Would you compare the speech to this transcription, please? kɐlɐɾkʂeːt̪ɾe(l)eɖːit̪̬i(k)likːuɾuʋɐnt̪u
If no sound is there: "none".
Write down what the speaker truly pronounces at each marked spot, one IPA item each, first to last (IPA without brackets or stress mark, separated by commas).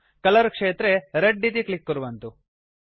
ɾ, k